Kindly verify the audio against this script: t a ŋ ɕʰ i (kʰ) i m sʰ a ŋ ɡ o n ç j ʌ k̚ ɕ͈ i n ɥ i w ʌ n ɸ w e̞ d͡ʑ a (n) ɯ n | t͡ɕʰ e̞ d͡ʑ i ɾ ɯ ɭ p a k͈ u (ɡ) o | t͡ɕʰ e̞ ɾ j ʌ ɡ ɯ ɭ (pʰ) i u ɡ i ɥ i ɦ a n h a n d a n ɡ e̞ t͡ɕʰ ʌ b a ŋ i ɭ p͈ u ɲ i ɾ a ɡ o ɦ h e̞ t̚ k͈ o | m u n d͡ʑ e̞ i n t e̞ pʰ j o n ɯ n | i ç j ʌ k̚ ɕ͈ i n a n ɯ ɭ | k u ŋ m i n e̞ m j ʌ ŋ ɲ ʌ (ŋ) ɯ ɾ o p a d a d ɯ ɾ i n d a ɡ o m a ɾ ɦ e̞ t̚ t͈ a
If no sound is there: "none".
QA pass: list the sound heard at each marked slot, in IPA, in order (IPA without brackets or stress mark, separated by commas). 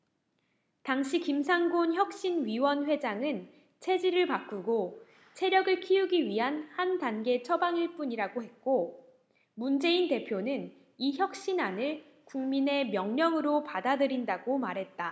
k, ŋ, ɡ, kʰ, ŋ